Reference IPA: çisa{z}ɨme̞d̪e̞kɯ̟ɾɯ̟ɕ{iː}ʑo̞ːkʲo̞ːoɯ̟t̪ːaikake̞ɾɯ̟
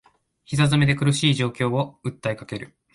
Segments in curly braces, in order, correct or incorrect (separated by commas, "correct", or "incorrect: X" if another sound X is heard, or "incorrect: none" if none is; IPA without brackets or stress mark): correct, correct